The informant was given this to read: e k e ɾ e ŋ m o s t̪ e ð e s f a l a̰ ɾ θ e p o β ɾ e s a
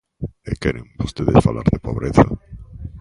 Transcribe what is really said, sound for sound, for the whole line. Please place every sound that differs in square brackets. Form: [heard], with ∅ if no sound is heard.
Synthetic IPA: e k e ɾ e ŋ [b] o s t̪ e ð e s f a l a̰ ɾ [ð] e p o β ɾ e [θ] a